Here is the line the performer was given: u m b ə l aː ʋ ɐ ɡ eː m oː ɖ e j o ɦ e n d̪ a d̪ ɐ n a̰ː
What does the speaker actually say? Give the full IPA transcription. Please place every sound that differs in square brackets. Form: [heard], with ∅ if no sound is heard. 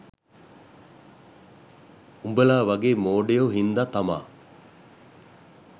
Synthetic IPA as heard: u m b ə l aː ʋ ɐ ɡ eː m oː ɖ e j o ɦ [i] n d̪ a [t̪] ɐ [m] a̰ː